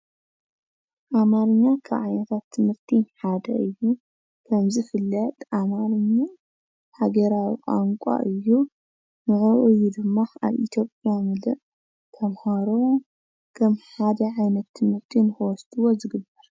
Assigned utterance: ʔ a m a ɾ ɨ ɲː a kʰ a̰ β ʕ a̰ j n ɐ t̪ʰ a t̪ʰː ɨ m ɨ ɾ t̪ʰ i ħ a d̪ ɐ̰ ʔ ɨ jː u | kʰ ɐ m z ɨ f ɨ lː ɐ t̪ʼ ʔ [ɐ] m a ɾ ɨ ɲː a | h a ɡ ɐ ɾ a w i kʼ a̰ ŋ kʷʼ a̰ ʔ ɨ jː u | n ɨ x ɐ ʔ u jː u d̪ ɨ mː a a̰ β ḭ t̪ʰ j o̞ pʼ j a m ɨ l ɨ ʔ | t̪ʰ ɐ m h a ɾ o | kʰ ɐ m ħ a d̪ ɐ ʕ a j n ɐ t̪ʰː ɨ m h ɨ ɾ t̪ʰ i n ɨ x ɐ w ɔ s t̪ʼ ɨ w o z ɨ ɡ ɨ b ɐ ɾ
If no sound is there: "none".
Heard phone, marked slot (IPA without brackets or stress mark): a